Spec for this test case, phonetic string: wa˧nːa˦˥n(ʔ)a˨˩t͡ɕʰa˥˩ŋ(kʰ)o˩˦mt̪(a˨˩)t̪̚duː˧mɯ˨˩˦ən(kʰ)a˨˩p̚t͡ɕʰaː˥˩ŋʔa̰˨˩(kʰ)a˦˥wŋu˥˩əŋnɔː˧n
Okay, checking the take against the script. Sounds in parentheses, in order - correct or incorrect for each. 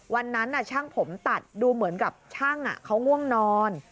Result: correct, incorrect, correct, incorrect, correct

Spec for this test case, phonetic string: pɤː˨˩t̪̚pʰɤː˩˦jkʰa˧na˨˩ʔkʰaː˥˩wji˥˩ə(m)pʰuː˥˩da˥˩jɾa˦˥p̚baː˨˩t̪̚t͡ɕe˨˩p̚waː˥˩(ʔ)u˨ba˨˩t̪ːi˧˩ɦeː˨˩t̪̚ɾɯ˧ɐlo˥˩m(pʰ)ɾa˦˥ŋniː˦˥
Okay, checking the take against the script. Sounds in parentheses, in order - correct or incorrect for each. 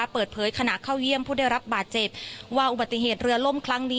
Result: correct, correct, incorrect

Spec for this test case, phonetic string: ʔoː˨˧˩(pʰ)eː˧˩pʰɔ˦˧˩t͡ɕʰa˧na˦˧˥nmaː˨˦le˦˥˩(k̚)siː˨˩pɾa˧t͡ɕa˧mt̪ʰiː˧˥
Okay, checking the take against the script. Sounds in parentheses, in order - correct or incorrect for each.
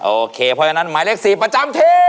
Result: incorrect, correct

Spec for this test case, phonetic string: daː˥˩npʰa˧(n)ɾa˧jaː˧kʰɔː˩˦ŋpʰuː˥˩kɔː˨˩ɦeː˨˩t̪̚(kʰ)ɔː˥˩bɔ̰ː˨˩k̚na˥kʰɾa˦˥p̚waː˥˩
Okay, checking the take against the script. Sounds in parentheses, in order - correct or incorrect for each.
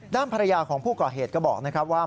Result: incorrect, incorrect

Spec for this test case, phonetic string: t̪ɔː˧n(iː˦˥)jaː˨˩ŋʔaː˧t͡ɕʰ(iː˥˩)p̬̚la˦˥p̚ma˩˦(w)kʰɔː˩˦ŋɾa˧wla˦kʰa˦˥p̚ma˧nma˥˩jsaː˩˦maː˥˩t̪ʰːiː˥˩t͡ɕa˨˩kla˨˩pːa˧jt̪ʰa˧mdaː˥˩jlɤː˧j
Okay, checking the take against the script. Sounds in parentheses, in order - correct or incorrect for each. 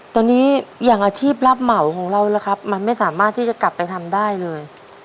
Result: correct, correct, correct

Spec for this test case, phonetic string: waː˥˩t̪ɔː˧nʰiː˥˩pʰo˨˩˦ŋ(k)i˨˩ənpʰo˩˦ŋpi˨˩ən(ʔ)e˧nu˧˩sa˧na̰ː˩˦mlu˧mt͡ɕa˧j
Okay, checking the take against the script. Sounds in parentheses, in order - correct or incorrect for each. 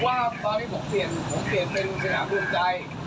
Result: incorrect, incorrect

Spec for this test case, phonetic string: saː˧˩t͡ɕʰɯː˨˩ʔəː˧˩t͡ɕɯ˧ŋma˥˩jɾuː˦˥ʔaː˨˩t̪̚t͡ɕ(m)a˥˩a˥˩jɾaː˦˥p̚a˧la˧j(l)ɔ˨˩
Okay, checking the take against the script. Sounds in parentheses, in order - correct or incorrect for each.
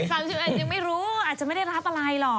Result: correct, correct

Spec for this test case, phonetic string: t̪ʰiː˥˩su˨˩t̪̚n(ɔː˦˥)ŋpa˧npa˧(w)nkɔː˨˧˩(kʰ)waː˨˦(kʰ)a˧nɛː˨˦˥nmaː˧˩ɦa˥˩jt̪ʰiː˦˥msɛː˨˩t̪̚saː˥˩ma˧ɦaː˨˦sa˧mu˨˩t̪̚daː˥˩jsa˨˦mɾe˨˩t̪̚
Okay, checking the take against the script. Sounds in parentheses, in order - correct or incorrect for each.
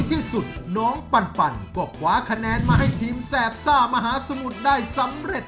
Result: correct, incorrect, correct, correct

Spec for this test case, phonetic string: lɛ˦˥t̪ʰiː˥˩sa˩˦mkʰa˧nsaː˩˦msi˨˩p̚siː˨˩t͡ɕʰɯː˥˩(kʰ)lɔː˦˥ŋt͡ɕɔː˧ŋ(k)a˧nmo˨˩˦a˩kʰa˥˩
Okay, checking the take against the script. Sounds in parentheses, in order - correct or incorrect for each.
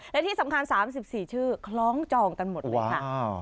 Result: correct, correct

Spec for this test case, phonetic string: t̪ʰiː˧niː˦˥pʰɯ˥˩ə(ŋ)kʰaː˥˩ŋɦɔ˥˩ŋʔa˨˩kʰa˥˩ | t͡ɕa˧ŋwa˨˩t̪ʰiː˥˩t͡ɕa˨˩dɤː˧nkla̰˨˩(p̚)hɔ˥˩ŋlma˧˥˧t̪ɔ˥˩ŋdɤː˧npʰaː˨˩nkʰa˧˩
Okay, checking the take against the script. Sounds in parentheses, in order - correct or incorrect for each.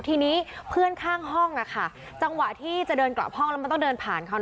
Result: incorrect, correct

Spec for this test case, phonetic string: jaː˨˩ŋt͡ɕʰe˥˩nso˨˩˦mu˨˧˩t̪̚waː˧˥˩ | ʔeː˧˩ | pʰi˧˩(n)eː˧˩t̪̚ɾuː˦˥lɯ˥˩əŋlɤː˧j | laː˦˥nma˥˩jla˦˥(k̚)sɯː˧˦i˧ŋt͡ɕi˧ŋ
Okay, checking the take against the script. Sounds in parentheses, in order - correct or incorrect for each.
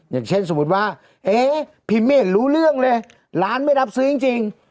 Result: incorrect, incorrect

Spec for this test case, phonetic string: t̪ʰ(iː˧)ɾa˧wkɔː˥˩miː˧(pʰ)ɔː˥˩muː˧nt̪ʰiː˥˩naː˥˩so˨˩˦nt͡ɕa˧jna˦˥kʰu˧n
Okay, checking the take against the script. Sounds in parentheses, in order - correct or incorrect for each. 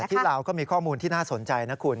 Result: incorrect, incorrect

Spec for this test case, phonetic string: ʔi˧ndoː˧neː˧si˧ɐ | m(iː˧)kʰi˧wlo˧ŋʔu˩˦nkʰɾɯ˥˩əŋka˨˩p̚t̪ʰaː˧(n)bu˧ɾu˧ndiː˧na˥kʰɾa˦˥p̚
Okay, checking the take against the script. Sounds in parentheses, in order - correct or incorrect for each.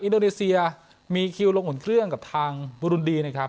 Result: correct, incorrect

